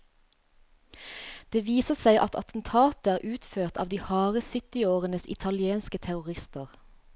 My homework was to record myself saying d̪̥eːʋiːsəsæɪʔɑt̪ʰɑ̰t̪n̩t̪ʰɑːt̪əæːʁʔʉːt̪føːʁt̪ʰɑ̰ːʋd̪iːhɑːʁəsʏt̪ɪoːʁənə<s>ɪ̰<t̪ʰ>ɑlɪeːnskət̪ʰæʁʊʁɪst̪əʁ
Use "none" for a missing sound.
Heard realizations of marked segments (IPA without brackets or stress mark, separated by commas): s, t̪ʰ